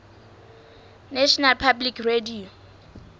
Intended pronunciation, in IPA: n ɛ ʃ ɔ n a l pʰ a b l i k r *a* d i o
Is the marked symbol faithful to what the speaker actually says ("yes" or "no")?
no